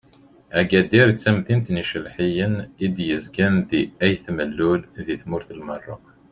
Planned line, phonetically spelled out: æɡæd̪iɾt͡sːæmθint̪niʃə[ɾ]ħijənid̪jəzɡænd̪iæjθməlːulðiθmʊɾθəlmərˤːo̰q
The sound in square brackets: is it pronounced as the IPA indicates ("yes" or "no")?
no